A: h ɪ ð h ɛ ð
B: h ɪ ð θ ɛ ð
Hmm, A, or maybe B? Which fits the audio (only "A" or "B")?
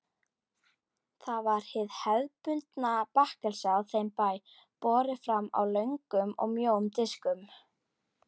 A